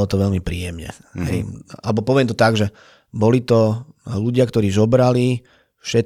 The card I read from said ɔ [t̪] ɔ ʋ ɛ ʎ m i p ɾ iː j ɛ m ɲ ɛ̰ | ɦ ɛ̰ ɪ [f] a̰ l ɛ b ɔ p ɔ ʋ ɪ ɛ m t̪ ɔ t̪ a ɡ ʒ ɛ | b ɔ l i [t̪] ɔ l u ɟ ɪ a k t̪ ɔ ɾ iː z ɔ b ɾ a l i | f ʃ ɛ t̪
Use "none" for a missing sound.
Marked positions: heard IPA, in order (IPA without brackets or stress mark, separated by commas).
t̪, none, t̪